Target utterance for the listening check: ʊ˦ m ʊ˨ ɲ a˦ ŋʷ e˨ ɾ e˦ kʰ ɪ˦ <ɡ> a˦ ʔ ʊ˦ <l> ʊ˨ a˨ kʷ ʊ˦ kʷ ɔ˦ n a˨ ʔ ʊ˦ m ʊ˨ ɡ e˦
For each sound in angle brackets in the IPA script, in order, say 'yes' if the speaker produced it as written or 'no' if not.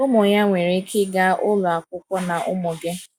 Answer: yes, yes

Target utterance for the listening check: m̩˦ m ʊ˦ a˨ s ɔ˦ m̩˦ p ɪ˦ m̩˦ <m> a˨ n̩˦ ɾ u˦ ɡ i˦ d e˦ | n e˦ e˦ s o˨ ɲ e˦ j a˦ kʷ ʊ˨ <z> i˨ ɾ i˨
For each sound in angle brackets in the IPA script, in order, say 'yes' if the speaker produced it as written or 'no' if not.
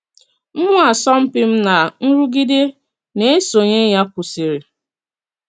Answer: no, no

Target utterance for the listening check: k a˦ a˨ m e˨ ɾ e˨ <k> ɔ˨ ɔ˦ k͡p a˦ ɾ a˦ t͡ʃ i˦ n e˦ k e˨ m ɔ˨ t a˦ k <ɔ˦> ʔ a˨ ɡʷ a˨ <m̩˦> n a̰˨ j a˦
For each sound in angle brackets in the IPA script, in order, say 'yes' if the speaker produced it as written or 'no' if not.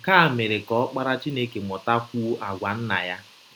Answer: yes, no, no

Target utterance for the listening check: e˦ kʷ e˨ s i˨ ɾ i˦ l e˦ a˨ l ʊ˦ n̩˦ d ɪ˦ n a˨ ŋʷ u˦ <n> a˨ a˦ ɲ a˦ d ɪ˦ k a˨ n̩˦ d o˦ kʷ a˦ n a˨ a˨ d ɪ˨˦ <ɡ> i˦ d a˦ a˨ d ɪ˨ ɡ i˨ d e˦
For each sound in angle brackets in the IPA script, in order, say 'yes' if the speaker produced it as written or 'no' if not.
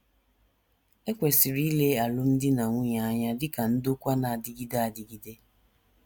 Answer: no, yes

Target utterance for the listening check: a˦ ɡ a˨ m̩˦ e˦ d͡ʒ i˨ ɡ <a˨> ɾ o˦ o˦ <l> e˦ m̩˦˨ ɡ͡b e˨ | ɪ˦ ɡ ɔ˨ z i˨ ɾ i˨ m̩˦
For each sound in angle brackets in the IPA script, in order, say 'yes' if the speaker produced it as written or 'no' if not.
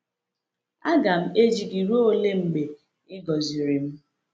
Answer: no, yes

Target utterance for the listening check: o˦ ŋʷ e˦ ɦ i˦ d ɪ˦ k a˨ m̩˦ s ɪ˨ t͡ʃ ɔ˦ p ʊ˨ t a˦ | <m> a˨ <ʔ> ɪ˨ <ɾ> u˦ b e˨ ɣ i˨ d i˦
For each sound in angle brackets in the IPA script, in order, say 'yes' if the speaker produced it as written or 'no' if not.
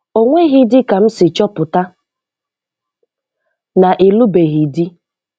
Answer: no, yes, no

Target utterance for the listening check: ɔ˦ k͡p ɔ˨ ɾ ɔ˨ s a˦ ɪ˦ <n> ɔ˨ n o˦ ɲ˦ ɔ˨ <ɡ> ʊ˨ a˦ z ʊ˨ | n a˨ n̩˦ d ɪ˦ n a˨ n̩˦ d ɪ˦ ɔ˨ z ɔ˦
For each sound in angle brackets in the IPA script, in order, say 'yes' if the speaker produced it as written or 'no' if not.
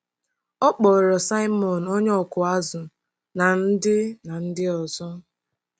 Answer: no, no

